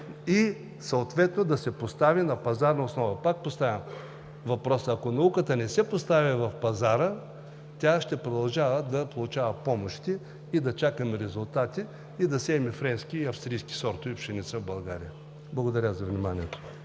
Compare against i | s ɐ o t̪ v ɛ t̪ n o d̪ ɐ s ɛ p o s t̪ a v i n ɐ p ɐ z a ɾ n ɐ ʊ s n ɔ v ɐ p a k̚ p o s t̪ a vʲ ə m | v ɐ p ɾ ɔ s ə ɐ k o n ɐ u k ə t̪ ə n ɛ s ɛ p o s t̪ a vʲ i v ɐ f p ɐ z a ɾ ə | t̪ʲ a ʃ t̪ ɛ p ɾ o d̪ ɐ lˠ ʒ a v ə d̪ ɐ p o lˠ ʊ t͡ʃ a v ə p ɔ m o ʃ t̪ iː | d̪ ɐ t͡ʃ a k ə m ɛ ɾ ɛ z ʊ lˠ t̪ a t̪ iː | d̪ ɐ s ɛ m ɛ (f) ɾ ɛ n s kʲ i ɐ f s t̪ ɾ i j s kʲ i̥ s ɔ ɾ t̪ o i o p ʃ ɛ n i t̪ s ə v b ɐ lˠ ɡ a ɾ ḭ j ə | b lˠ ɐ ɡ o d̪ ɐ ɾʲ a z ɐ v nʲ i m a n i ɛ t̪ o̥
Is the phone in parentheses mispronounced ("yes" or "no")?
no